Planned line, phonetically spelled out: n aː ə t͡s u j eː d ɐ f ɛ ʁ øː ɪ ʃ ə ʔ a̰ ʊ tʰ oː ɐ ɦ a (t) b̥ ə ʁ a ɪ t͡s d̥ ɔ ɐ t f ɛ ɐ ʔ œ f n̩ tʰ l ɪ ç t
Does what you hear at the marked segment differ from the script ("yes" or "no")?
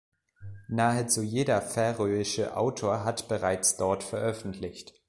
no